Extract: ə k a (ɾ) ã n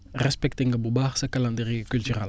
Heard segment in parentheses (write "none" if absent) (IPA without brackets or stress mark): l